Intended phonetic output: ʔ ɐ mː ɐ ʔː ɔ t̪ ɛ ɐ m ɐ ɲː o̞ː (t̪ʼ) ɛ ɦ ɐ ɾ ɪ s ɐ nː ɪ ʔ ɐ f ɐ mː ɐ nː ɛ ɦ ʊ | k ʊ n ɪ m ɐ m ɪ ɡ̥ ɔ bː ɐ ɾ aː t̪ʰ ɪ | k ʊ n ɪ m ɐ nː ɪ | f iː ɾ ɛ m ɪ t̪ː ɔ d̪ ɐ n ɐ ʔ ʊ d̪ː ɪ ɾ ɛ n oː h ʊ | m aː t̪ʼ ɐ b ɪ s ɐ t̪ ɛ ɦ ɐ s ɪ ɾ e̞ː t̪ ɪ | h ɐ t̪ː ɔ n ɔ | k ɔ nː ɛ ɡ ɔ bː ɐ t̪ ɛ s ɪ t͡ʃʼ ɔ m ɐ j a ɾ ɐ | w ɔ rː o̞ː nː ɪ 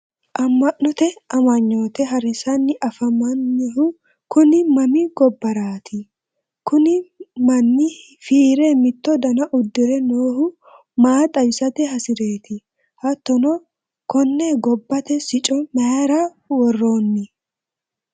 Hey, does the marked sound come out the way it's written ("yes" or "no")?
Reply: no